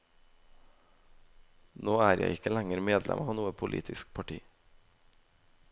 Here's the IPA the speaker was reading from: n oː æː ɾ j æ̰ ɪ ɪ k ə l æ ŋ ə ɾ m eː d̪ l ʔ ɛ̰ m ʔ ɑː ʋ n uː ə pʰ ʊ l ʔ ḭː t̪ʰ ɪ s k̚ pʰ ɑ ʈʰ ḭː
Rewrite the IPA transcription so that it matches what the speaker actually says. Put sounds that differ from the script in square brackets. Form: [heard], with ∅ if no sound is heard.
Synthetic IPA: n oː æː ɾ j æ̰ ɪ ɪ k ə l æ ŋ ə ɾ m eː d̪ l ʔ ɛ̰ m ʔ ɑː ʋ n uː ə pʰ ʊ l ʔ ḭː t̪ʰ ɪ s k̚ pʰ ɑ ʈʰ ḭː

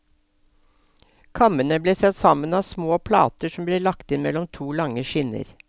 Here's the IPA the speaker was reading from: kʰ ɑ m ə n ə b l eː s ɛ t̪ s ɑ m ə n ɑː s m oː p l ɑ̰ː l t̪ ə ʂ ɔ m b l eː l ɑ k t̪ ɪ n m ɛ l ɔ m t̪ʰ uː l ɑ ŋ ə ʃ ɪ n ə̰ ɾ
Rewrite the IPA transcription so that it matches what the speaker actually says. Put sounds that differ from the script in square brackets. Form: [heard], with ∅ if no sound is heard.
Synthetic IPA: kʰ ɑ m ə n ə b l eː s ɛ t̪ s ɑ m ə n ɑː s m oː [pʰ] l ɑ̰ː [∅] t̪ ə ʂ ɔ m b l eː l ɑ k t̪ ɪ n m ɛ l ɔ m t̪ʰ uː l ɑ ŋ ə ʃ ɪ n ə̰ ɾ

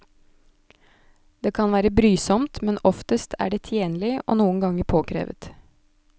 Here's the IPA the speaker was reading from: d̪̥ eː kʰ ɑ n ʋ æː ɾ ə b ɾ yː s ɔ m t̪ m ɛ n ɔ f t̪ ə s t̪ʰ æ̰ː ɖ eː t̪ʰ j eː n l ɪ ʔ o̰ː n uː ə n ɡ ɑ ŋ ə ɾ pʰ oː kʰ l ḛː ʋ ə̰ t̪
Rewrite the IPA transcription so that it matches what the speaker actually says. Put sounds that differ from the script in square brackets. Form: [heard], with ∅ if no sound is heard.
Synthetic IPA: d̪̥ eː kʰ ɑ n ʋ æː ɾ ə b ɾ yː s ɔ m t̪ m ɛ n ɔ f t̪ ə s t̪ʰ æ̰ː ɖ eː t̪ʰ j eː n l ɪ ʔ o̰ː n uː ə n ɡ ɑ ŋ ə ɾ pʰ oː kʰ [ɾ] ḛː ʋ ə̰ t̪

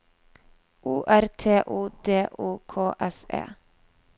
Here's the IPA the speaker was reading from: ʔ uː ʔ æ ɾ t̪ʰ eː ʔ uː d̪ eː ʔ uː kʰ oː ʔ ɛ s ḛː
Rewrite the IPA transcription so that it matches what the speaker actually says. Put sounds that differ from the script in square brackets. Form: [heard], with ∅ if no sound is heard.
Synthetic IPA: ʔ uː ʔ æ ɾ t̪ʰ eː ʔ uː d̪ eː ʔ uː kʰ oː ʔ ɛ s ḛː

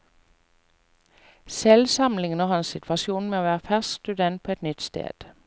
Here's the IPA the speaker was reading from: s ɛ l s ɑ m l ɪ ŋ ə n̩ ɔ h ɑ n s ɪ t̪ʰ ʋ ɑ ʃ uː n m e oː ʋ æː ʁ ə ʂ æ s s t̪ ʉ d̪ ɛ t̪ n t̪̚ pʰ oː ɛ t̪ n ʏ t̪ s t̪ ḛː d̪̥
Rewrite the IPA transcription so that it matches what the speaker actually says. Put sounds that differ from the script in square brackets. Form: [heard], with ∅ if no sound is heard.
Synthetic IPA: s ɛ l s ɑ m l ɪ ŋ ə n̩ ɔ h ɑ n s ɪ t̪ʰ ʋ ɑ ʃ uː n m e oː ʋ æː ʁ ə [f] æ s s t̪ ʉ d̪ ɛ [∅] n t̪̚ pʰ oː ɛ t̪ n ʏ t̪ s t̪ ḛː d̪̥

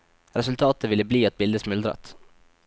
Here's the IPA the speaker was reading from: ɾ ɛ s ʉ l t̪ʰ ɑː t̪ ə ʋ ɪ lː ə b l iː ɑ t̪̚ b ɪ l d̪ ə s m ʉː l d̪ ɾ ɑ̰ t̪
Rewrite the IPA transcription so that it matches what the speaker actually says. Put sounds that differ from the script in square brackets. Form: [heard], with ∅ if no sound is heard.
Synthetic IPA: ɾ ɛ s ʉ l t̪ʰ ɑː t̪ ə ʋ ɪ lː ə b l iː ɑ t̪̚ b ɪ l d̪ ə s m [ʉ] l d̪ ɾ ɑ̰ t̪

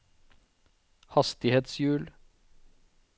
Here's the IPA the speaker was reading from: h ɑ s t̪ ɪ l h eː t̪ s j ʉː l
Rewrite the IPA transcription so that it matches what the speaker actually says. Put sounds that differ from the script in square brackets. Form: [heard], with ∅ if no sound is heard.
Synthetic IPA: h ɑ s t̪ ɪ [∅] h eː t̪ s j ʉː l

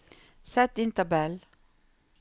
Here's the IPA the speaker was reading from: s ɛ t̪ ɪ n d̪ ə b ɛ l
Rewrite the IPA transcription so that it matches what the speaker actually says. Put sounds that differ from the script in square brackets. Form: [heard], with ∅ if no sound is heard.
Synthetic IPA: s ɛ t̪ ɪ n [t̪] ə b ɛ l

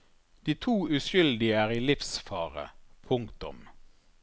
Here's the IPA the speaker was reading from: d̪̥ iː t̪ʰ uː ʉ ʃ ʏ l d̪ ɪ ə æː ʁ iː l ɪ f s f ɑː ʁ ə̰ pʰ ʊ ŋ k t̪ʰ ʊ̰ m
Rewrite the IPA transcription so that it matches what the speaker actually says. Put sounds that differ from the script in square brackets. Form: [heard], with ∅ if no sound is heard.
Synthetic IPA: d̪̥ iː t̪ʰ uː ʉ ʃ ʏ l d̪ ɪ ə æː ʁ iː l ɪ f s f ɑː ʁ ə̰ pʰ ʊ ŋ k [t̪] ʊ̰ m

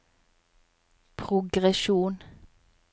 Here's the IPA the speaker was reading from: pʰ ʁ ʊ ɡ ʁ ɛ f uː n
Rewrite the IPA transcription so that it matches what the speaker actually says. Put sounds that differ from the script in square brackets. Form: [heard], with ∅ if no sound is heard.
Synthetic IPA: pʰ ʁ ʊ ɡ ʁ ɛ [ʃ] uː n

